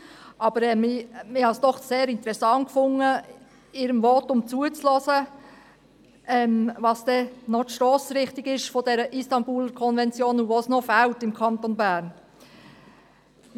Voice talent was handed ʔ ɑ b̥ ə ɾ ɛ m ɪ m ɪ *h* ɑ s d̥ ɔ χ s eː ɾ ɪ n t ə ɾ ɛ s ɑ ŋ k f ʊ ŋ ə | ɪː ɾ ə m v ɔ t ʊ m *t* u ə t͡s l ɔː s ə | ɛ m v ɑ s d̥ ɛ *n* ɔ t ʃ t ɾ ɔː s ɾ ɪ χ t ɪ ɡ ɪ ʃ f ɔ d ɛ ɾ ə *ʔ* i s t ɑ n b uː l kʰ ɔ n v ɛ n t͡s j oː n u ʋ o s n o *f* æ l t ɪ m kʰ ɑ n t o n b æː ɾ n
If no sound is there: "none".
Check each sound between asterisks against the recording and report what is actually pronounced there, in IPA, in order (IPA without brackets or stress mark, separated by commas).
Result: h, t͡s, n, ʔ, f